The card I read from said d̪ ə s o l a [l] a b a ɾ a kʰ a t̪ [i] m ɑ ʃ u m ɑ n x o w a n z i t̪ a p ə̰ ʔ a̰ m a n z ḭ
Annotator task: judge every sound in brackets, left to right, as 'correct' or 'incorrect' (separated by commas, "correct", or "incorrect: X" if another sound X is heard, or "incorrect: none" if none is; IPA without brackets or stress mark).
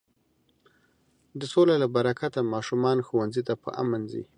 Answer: correct, incorrect: a